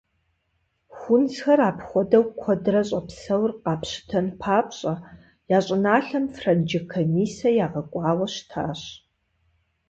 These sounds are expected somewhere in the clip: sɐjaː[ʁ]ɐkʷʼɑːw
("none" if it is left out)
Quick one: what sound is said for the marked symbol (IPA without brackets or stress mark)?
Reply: ʁ